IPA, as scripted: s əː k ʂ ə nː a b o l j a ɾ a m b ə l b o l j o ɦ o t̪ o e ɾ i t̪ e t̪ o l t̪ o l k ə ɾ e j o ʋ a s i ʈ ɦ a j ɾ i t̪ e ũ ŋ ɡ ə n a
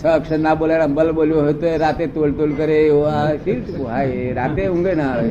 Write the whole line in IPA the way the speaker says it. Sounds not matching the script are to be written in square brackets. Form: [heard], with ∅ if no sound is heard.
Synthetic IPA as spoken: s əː k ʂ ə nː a b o l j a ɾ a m b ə l b o l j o ɦ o t̪ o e ɾ [a] t̪ e t̪ o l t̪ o l k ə ɾ e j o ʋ a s i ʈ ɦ a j ɾ [a] t̪ e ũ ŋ ɡ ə n a